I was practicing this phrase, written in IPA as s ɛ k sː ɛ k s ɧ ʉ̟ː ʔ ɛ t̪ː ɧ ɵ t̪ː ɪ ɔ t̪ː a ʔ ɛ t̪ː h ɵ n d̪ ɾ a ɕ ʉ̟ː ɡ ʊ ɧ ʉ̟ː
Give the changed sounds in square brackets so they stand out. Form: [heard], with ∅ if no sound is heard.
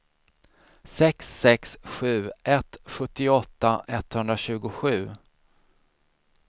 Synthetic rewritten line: s ɛ k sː ɛ k s ɧ ʉ̟ː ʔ ɛ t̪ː ɧ ɵ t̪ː ɪ ɔ t̪ː a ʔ ɛ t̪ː h ɵ n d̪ ɾ a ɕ ʉ̟ː ɡ ʊ ɧ ʉ̟ː